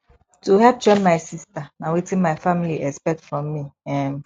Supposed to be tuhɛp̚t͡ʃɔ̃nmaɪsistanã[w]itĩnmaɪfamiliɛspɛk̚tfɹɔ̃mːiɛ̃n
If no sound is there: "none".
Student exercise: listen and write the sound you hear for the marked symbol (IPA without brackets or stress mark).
w